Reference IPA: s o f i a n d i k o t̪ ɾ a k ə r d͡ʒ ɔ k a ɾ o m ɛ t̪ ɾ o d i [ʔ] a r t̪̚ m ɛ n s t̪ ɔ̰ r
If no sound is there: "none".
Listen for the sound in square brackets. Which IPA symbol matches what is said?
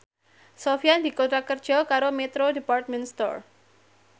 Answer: p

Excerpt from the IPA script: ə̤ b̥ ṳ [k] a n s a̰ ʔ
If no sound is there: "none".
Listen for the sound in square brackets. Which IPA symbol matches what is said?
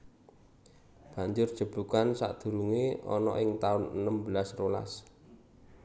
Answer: k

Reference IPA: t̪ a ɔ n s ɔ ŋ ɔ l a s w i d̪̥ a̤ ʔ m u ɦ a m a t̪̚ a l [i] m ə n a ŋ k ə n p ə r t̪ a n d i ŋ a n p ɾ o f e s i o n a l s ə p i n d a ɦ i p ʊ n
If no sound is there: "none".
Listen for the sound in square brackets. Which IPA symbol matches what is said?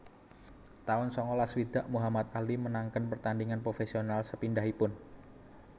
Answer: i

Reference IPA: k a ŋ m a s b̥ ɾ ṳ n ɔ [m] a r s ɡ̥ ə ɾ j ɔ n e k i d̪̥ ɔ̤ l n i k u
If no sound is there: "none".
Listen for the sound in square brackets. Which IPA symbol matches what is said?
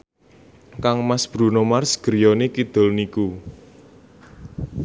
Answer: m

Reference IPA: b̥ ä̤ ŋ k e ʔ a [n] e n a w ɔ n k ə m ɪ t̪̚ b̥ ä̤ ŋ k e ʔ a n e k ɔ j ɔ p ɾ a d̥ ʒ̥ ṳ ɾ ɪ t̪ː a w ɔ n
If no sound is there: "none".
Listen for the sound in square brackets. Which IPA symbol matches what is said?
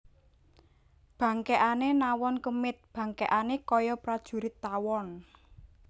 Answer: n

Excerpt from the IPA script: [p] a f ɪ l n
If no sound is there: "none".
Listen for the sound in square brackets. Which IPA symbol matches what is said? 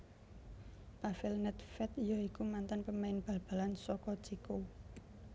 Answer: p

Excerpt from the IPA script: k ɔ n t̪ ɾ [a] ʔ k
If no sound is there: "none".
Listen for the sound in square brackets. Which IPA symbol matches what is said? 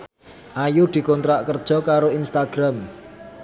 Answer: a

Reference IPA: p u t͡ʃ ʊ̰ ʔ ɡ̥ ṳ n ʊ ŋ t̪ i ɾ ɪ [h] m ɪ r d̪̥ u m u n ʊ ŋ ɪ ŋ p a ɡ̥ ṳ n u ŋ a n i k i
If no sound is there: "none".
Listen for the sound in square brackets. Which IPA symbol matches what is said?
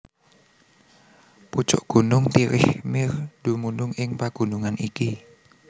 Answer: h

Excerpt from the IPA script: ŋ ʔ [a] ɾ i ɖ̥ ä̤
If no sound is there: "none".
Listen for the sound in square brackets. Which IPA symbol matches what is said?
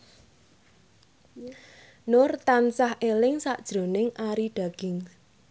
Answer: a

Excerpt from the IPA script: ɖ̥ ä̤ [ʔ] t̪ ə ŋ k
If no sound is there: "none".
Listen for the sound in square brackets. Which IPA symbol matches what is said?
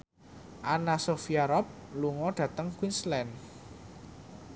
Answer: none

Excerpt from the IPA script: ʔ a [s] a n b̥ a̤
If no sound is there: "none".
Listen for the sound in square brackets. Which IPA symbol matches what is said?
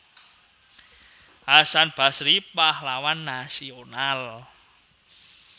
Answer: s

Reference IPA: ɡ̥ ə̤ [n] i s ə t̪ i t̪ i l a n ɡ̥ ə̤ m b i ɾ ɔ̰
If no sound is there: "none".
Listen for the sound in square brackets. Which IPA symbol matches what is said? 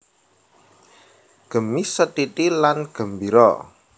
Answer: m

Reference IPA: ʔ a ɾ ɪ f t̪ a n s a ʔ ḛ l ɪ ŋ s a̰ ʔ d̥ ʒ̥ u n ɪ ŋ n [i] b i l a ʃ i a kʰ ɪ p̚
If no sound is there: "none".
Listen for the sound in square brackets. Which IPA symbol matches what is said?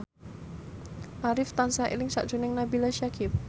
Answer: a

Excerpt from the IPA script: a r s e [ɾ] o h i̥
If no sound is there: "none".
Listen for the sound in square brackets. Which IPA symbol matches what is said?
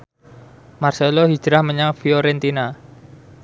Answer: l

